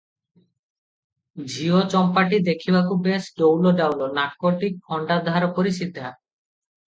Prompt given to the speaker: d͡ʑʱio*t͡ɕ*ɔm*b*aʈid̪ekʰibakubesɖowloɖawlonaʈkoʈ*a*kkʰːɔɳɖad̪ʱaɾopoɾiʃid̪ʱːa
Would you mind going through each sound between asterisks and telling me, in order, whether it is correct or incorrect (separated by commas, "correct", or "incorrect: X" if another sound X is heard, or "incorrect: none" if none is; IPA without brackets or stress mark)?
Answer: correct, incorrect: p, incorrect: i